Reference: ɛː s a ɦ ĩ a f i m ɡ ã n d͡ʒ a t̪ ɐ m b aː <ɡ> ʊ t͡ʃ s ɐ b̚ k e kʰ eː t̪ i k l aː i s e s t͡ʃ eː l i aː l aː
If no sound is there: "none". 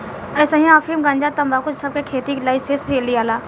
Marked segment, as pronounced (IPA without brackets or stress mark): k